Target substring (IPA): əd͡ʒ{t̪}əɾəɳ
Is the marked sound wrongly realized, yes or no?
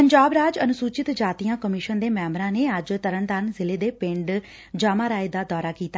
no